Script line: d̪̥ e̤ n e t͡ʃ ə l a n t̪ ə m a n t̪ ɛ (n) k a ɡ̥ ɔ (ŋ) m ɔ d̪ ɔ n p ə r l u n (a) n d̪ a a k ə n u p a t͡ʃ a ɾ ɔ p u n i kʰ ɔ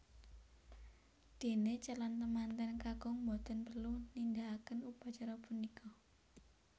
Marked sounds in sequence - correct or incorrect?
correct, correct, incorrect: i

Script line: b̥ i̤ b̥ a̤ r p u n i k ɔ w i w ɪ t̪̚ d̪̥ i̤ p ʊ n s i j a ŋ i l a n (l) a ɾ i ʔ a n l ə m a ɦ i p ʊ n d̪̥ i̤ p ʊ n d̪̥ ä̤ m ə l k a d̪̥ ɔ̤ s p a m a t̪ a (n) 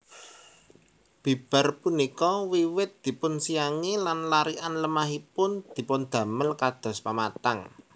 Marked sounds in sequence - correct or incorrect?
correct, incorrect: ŋ

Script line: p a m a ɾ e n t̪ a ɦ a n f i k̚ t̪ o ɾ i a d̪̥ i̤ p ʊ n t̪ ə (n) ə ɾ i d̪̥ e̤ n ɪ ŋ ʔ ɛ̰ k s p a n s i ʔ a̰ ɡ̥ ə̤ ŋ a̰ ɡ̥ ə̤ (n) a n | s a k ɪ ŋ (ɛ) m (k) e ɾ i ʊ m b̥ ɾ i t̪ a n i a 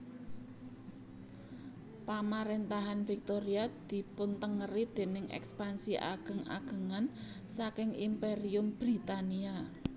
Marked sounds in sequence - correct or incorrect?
incorrect: ŋ, incorrect: ŋ, incorrect: i, incorrect: p

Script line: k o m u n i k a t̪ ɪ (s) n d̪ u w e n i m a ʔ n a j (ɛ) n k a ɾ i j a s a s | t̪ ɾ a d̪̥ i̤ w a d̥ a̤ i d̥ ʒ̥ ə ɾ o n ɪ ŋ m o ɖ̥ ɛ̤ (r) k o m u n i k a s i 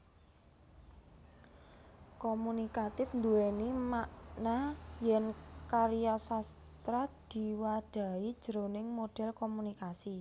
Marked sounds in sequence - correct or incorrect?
incorrect: f, correct, incorrect: l

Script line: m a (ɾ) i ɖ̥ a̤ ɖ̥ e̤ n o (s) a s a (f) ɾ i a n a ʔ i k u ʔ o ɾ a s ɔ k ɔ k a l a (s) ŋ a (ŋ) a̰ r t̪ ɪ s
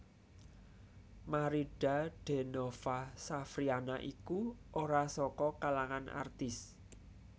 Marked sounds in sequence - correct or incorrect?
correct, incorrect: f, correct, incorrect: none, incorrect: n

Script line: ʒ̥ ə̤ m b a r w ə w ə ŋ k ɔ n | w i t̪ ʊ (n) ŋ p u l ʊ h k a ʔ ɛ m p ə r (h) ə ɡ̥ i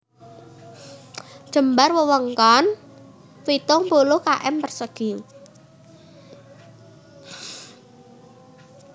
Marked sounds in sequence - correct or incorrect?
incorrect: none, incorrect: s

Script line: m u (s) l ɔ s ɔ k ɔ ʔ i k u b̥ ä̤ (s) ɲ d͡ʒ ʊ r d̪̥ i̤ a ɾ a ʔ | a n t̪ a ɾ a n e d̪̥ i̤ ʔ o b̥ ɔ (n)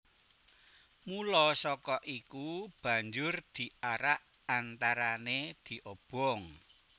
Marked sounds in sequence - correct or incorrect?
incorrect: none, incorrect: none, incorrect: ŋ

